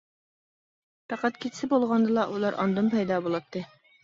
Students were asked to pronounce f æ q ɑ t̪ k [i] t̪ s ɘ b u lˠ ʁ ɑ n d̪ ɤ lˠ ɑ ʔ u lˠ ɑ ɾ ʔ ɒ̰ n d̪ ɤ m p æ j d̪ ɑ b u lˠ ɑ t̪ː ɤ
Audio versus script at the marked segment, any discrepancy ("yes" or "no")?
no